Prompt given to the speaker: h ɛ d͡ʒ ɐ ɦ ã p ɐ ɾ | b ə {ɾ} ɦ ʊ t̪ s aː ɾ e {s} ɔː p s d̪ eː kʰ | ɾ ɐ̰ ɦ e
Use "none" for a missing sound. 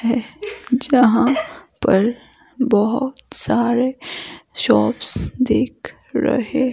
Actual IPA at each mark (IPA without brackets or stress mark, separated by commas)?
none, ʃ